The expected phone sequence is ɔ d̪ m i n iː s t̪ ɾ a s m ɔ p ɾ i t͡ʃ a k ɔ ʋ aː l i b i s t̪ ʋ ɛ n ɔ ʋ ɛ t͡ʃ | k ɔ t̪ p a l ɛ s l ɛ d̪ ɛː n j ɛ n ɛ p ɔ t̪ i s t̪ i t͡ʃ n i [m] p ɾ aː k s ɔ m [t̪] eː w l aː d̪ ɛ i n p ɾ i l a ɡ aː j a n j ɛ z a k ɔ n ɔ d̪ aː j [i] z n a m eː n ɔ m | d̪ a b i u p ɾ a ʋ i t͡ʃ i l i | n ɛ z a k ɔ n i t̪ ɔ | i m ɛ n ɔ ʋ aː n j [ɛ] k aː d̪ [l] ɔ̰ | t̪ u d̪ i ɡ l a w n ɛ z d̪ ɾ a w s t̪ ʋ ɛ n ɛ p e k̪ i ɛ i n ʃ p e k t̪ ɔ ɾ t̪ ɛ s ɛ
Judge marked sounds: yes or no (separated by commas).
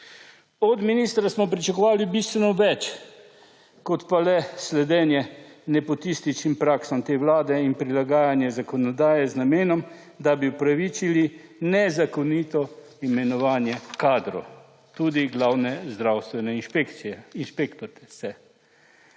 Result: yes, yes, no, yes, no